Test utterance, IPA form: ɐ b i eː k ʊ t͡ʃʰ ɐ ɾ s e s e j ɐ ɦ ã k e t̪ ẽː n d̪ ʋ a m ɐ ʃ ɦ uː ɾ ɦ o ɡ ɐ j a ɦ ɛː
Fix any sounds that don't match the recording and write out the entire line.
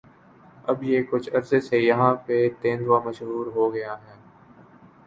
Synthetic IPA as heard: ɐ b j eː k ʊ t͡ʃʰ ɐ ɾ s e s e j ɐ ɦ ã p e t̪ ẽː n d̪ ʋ a m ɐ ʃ ɦ uː ɾ ɦ o ɡ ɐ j a ɦ ɛː